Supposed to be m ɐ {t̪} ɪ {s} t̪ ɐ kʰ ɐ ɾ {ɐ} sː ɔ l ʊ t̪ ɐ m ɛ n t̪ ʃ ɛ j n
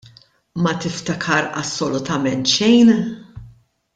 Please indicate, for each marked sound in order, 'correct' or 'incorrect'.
correct, incorrect: f, correct

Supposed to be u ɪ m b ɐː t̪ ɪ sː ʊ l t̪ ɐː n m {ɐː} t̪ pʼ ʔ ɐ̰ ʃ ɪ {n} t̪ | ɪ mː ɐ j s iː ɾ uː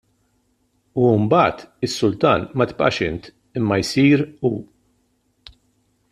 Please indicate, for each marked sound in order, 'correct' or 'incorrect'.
incorrect: ɐ, correct

